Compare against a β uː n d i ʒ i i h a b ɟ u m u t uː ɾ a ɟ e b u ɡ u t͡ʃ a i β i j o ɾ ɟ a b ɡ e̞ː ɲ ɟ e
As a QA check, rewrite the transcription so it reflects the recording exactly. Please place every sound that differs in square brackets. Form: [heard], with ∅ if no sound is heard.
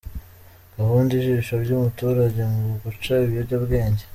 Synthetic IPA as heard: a β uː n d i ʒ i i [ʃ] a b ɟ u m u t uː ɾ a ɟ e [m] u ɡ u t͡ʃ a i β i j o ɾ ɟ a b ɡ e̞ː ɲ ɟ e